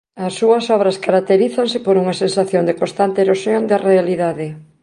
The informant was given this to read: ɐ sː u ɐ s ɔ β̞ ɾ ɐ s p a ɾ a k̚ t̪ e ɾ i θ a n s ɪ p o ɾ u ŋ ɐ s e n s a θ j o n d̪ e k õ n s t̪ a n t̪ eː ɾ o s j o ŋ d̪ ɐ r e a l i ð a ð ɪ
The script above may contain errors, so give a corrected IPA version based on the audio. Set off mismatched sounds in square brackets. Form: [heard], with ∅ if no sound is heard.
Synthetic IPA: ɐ sː u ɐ s ɔ β̞ ɾ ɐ s [k] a ɾ a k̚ t̪ e ɾ i θ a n s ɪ p o ɾ u ŋ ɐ s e n s a θ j o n d̪ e k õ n s t̪ a n t̪ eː ɾ o s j o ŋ d̪ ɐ r e a l i ð a ð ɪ